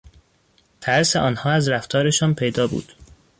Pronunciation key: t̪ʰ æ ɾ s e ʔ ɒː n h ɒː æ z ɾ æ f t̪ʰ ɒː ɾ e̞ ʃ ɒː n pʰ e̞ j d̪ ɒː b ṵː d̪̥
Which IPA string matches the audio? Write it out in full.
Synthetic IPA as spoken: t̪ʰ æ ɾ s e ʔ ɒː n h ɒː æ z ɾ æ f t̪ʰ ɒː ɾ e̞ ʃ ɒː n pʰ e̞ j d̪ ɒː b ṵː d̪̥